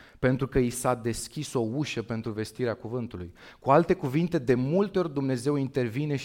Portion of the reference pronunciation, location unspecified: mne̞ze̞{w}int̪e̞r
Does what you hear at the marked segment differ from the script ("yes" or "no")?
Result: no